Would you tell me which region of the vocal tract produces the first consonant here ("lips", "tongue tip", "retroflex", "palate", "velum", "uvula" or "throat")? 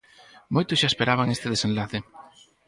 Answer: lips